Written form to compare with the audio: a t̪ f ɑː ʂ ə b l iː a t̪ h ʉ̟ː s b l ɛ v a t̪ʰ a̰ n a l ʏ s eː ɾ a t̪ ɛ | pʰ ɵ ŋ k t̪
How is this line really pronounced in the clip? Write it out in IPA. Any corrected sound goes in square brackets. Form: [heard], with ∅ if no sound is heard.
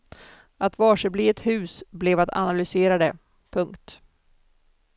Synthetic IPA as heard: a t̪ [v] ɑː ʂ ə b l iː [ɛ] t̪ h ʉ̟ː s b l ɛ v a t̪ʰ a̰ n a l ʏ s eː ɾ a [d̪] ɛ | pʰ ɵ ŋ k t̪